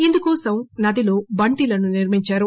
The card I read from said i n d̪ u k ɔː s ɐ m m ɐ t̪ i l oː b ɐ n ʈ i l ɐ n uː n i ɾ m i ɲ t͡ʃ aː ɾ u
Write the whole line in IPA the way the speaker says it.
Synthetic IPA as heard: i n d̪ u k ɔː s ɐ m n ɐ d̪ i l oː b ɐ ɳ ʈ i l ɐ n u n i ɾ m i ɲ t͡ʃ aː ɾ u